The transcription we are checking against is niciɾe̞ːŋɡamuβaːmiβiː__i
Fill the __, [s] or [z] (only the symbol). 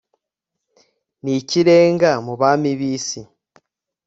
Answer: s